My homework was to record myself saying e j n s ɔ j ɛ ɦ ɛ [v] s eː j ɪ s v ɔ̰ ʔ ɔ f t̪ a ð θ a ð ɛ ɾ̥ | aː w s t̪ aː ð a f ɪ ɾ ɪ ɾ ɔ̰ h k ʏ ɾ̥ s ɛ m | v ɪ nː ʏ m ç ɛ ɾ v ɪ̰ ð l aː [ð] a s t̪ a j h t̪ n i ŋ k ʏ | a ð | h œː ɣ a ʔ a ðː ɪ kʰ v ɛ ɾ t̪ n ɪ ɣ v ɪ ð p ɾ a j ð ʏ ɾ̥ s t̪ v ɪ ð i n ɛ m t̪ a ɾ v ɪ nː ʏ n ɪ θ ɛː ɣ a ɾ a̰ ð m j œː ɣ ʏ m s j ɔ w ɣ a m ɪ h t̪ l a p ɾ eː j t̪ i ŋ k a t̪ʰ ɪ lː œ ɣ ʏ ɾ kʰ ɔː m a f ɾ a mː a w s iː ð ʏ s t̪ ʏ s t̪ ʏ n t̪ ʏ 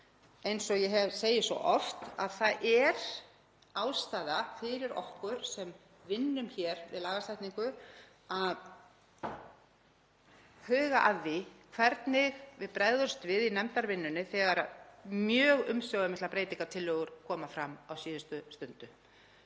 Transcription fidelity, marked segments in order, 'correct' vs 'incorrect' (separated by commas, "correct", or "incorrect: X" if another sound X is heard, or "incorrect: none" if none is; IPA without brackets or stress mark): correct, incorrect: ɣ